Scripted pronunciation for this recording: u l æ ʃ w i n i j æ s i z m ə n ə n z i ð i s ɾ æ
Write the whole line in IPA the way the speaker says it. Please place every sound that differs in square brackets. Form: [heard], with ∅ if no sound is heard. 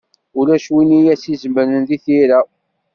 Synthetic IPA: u l æ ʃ w i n i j æ s i z m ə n ə n [ð] i [θ] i [∅] ɾ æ